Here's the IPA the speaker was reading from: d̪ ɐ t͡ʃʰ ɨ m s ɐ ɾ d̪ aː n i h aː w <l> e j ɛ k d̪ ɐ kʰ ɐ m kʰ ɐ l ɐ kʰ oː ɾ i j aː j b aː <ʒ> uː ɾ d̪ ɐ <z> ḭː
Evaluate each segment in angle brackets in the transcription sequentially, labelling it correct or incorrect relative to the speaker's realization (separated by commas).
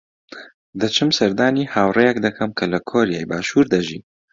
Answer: incorrect, incorrect, incorrect